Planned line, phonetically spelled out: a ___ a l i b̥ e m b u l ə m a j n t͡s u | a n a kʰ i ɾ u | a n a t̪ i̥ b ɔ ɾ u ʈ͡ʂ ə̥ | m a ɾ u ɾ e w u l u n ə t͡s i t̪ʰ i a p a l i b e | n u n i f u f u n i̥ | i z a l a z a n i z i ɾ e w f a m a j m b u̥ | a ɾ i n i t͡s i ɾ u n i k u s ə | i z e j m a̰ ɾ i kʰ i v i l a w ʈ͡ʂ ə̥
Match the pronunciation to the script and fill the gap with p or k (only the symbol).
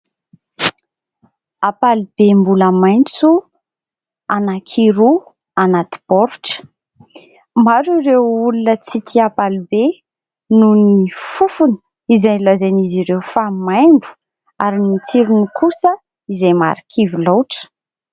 p